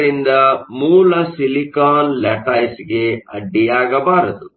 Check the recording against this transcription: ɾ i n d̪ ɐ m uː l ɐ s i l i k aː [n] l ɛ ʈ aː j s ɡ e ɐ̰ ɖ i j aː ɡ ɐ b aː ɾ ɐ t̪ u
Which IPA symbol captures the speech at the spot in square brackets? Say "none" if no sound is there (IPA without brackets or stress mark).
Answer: n